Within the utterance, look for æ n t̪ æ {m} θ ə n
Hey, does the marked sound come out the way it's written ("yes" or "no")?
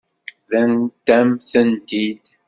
yes